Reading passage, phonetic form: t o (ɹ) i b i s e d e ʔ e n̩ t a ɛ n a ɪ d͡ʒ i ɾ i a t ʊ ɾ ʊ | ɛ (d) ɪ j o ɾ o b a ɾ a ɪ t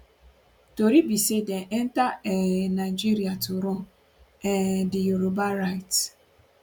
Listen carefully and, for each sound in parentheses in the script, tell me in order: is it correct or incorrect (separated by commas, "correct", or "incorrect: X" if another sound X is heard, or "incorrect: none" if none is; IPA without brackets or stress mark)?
incorrect: ɾ, correct